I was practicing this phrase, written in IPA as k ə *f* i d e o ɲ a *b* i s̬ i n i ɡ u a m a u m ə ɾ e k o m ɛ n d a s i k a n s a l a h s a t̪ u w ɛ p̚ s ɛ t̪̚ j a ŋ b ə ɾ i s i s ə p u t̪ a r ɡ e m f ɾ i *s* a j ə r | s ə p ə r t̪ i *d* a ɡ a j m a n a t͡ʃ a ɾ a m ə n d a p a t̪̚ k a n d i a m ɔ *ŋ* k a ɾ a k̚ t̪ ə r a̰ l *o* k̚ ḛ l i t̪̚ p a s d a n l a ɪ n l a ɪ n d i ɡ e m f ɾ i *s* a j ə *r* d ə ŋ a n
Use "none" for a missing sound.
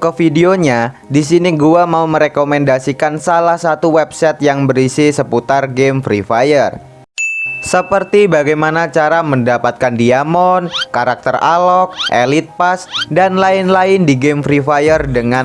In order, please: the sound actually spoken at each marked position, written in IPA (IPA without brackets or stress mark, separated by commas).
f, d, f, b, n, ɔ, f, r